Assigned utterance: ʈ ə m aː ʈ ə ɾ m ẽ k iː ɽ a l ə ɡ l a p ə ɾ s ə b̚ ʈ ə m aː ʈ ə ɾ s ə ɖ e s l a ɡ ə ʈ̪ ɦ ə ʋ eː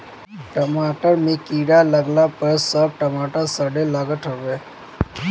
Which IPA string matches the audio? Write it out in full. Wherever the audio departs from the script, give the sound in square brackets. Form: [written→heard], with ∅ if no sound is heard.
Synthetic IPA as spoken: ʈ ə m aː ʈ ə ɾ m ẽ k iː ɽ a l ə ɡ l a p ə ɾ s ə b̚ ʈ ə m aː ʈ ə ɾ s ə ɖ e [s→∅] l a ɡ ə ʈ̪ ɦ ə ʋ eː